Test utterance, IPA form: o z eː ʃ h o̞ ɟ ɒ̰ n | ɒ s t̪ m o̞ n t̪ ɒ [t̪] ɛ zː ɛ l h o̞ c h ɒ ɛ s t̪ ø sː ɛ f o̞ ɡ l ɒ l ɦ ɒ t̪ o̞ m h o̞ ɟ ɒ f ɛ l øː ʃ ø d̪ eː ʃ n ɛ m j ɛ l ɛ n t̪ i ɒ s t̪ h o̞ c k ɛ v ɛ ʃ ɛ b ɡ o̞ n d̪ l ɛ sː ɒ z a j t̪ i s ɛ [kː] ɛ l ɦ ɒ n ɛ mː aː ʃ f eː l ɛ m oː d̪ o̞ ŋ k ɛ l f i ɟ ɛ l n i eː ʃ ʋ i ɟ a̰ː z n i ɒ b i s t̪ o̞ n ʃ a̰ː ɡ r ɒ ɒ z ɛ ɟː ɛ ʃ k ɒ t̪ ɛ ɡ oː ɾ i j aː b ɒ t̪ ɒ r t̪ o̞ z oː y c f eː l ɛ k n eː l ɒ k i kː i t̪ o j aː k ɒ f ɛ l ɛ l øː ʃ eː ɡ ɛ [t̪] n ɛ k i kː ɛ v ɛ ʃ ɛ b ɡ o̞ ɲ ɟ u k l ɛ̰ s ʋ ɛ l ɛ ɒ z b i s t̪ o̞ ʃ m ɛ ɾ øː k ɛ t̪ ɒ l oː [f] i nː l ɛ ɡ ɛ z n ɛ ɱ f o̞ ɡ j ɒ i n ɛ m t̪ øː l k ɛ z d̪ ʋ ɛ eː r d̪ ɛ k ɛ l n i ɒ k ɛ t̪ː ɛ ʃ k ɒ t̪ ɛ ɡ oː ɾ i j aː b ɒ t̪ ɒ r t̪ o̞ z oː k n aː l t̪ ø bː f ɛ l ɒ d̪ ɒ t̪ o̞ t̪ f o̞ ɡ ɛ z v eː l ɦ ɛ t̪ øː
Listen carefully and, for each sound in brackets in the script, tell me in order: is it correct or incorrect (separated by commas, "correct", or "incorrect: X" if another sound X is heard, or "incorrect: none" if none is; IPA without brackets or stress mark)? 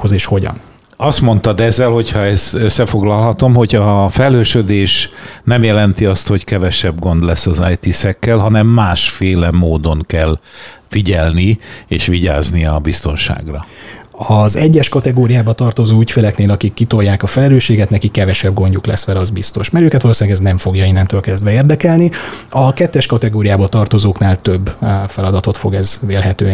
incorrect: d̪, correct, correct, incorrect: s